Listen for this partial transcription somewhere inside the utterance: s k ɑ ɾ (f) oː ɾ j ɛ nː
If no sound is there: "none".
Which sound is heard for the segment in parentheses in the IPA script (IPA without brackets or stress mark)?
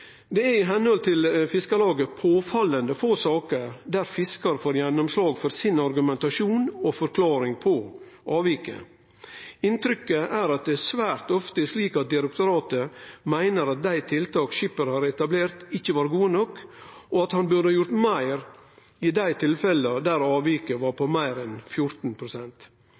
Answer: f